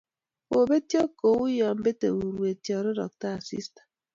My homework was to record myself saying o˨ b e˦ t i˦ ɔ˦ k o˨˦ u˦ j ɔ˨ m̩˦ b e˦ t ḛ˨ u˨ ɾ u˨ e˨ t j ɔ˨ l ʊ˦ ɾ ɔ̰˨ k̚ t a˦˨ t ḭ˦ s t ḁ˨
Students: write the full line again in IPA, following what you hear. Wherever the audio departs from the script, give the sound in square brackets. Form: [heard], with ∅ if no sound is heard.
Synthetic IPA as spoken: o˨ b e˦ t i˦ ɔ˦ k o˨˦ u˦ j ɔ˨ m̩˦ b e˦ t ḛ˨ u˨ ɾ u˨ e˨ t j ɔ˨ [ɾ] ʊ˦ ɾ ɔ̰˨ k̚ t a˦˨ [s] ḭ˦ s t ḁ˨